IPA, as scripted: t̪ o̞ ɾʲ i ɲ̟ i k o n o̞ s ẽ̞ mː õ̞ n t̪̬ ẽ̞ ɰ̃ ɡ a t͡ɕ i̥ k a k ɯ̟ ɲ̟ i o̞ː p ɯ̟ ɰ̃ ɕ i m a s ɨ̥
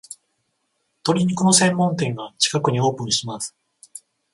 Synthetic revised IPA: t̪ o̞ ɾʲ i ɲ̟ i k o n o̞ s ẽ̞ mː õ̞ n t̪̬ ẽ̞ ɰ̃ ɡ a t͡ɕ i̥ k a k ɯ̟ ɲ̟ i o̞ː p ɯ̟̃ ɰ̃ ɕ i m a s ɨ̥